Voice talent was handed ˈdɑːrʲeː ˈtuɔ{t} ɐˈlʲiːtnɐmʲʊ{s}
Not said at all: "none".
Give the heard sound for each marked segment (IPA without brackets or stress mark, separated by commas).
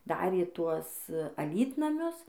s, s